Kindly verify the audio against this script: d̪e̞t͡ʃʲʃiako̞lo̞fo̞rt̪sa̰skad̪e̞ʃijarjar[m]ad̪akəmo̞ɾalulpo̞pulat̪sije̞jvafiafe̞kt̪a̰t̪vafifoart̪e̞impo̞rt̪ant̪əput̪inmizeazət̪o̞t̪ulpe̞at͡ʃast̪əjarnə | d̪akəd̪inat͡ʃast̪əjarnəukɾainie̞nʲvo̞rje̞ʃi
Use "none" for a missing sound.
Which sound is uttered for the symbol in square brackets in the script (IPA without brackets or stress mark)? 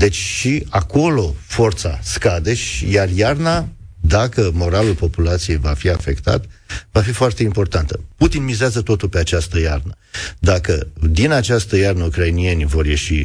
n